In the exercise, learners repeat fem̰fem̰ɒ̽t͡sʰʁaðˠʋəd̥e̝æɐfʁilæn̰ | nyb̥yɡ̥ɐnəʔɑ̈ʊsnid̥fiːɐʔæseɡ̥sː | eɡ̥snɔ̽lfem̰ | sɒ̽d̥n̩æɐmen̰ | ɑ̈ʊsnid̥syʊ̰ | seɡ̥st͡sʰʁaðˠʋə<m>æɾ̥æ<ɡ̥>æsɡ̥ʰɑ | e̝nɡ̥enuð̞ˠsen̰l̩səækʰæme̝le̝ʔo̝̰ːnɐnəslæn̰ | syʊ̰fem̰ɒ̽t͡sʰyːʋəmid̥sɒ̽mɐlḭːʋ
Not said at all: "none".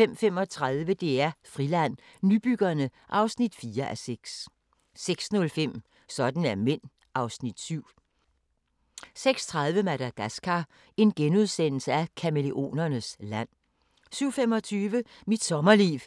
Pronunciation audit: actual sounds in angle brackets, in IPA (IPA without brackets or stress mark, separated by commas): m, ɡ̥